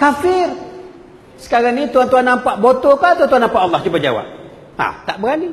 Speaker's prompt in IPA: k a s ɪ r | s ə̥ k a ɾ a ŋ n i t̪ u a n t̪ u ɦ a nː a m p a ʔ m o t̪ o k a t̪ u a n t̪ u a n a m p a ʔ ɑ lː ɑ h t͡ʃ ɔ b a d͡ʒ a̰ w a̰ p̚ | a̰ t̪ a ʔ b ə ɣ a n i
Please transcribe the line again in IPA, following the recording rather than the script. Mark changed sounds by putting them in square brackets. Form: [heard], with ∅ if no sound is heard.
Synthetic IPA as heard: k a [f] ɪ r | s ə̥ k a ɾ a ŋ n i t̪ u a n t̪ u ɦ a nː a m p a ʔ [b] o t̪ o k a t̪ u a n t̪ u a n a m p a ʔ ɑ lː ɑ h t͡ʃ [u] b a d͡ʒ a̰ w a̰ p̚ | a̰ t̪ a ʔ b ə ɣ a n i